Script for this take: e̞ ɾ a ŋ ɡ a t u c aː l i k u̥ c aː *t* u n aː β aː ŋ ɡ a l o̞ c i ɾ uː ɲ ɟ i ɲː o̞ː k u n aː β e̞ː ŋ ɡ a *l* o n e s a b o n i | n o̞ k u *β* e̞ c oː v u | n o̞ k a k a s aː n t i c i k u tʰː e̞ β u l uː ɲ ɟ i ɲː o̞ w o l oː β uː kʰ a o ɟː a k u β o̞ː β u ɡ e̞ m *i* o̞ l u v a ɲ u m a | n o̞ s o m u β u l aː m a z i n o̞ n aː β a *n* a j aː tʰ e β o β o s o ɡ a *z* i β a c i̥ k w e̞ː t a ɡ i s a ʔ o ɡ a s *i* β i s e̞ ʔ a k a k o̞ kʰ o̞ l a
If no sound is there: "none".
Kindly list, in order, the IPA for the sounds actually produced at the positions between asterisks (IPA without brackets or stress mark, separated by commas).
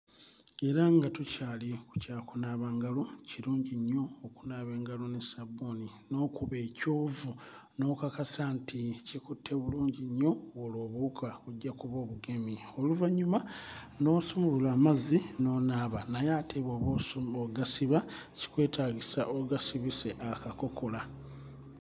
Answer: k, l, β, i, n, s, i